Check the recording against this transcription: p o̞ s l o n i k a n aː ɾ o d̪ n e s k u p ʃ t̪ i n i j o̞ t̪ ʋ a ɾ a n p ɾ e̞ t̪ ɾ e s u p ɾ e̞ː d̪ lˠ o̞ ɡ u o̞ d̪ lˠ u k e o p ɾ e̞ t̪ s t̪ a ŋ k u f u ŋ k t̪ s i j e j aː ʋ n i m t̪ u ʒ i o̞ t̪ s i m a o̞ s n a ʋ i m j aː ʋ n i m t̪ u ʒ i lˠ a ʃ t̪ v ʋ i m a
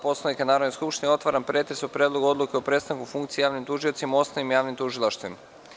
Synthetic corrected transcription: p o̞ s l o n i k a n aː ɾ o d̪ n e s k u p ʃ t̪ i n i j o̞ t̪ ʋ a ɾ a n p ɾ e̞ t̪ ɾ e s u p ɾ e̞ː d̪ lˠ o̞ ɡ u o̞ d̪ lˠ u k e o p ɾ e̞ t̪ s t̪ a ŋ k u f u ŋ k t̪ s i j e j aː ʋ n i m t̪ u ʒ i o̞ t̪ s i m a o̞ s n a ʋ i m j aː ʋ n i m t̪ u ʒ i lˠ a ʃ t̪ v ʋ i m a